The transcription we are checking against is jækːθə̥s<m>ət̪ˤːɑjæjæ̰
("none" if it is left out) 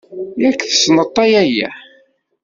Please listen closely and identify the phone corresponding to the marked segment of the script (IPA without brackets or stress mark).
n